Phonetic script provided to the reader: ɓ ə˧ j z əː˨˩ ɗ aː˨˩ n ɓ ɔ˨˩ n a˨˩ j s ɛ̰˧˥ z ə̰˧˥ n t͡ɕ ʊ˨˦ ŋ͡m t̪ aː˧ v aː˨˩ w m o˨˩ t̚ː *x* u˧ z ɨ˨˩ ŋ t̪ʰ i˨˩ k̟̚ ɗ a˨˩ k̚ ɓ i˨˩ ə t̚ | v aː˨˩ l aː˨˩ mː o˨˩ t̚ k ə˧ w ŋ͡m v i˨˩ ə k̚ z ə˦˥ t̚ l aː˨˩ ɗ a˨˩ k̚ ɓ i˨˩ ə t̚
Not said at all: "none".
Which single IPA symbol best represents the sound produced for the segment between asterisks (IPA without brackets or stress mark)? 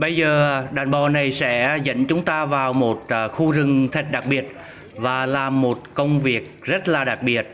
x